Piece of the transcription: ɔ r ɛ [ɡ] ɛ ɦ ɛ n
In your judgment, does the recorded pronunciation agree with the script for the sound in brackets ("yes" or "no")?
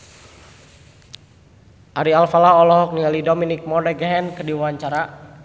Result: yes